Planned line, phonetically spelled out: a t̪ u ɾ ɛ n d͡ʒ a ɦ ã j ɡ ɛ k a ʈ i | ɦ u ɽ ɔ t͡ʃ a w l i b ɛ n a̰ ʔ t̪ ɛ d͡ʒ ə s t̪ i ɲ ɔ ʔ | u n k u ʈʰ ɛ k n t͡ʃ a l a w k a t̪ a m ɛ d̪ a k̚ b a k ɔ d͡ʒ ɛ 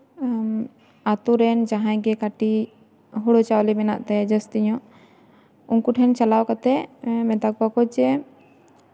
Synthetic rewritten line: a t̪ u ɾ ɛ n d͡ʒ a ɦ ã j ɡ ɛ k a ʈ i | ɦ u ɽ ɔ t͡ʃ a w l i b ɛ n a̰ ʔ t̪ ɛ d͡ʒ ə s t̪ i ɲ ɔ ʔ | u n k u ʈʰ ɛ n t͡ʃ a l a w k a t̪ ɛ m ɛ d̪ a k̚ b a k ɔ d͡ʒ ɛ